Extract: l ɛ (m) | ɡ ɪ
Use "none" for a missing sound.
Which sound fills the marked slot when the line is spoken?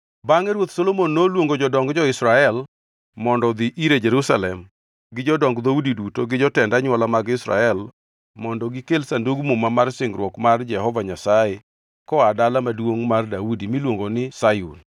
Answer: m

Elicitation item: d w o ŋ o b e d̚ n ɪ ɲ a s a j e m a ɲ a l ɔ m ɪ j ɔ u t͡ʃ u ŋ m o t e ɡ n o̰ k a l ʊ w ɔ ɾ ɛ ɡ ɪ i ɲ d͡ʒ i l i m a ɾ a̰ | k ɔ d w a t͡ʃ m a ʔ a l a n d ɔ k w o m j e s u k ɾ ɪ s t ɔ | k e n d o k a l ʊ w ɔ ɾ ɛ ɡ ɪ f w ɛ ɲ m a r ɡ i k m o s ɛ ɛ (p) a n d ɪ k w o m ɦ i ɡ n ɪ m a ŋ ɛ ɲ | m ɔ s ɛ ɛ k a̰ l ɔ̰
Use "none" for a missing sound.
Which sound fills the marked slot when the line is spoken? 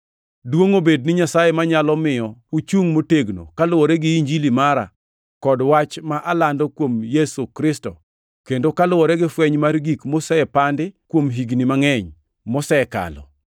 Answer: p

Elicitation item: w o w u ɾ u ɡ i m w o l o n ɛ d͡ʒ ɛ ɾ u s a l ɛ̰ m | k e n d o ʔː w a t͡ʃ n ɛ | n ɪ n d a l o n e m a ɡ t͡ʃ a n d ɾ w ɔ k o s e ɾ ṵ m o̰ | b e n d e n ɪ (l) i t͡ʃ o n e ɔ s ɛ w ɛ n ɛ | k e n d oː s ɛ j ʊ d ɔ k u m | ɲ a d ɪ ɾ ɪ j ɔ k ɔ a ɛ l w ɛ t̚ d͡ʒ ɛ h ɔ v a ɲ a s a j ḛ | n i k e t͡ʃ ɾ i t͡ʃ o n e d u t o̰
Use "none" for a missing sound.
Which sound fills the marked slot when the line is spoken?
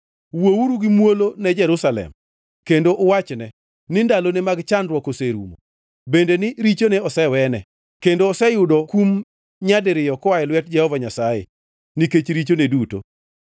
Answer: ɾ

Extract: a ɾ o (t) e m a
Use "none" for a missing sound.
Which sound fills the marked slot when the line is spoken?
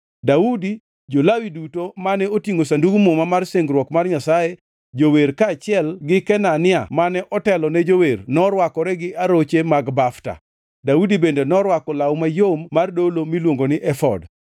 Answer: t͡ʃ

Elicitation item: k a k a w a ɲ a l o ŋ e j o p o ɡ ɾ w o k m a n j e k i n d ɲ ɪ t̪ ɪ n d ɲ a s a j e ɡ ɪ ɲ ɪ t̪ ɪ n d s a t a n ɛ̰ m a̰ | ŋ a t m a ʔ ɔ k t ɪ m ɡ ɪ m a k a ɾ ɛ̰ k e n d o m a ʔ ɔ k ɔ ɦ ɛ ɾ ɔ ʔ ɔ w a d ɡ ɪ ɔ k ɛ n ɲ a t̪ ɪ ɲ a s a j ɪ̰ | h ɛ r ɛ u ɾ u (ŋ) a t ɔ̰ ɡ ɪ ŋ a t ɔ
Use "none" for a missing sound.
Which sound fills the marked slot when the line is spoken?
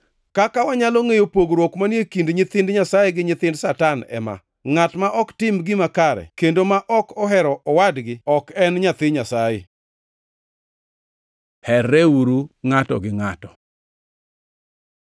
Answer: ŋ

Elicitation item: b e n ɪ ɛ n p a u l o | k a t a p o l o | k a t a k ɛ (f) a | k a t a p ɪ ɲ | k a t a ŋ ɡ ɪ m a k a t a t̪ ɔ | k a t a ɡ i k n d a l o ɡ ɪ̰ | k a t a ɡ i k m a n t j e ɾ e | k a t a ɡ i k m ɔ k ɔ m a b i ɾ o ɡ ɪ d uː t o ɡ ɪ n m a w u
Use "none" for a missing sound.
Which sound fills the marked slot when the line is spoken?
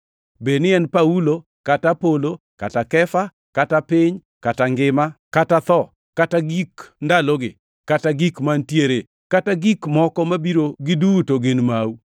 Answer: f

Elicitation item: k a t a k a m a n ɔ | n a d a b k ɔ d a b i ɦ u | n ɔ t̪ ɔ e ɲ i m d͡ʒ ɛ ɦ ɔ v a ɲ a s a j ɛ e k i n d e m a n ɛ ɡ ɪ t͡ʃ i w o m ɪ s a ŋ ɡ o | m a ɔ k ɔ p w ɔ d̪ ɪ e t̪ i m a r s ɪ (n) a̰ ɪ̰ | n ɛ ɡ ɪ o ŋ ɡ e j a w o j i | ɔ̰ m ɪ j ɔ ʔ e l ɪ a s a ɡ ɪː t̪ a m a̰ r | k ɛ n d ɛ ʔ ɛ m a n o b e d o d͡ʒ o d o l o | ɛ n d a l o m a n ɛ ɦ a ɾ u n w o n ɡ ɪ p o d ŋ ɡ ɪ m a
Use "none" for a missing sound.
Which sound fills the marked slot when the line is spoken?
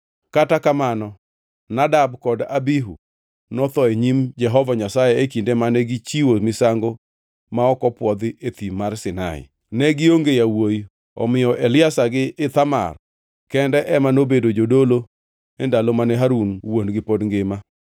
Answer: n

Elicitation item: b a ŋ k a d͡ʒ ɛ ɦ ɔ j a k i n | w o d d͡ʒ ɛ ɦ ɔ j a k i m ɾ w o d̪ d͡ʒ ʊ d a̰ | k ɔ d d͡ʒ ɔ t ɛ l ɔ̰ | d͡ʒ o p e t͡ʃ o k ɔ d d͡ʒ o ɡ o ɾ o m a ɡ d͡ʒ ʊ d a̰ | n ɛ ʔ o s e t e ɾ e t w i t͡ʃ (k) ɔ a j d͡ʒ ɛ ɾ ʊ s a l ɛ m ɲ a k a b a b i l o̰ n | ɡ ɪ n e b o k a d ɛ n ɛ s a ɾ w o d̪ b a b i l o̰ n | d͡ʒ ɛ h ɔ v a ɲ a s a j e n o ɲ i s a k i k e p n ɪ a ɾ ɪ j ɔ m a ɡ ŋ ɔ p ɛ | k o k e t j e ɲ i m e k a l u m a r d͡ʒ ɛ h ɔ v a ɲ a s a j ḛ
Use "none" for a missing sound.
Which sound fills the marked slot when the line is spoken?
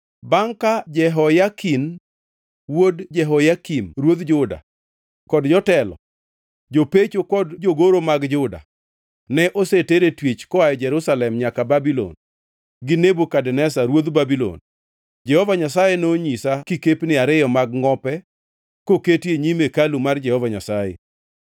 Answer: k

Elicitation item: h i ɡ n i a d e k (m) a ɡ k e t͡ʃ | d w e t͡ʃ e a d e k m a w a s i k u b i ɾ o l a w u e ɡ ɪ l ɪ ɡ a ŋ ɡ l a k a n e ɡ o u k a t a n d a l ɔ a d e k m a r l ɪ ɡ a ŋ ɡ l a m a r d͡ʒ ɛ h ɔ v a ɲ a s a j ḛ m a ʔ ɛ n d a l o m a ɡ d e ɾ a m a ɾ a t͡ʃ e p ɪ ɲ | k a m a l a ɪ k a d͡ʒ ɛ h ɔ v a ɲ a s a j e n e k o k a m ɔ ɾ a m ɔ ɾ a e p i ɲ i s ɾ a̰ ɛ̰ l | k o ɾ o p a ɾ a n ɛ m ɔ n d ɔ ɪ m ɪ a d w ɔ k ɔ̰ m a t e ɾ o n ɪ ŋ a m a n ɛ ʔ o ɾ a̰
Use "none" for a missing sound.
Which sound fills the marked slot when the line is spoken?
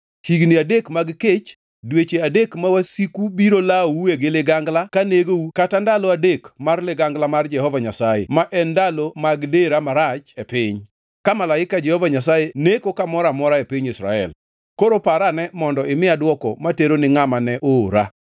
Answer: m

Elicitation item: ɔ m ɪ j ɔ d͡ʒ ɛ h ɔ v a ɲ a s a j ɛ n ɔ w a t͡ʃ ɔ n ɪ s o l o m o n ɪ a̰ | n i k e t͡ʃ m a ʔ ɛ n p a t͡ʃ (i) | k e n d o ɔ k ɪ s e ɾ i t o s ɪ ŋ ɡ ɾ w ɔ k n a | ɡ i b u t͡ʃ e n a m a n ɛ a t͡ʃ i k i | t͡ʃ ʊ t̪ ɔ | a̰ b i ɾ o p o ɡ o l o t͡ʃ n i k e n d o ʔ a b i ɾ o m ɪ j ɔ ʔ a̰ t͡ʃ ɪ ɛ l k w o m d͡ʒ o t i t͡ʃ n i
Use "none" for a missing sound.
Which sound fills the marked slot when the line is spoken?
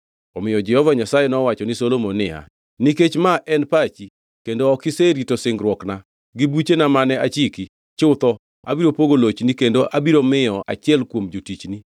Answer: i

